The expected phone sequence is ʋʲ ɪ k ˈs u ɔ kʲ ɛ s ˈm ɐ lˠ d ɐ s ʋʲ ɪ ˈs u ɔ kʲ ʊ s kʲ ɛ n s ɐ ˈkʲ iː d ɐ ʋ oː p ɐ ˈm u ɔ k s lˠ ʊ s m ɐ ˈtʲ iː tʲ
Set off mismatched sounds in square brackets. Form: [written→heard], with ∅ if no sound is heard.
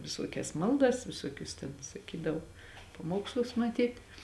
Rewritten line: ʋʲ ɪ [k→∅] ˈs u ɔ kʲ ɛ s ˈm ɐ lˠ d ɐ s ʋʲ ɪ ˈs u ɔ kʲ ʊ s [kʲ→tʲ] ɛ n s ɐ ˈkʲ iː d ɐ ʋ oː p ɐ ˈm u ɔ k s lˠ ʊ s m ɐ ˈtʲ iː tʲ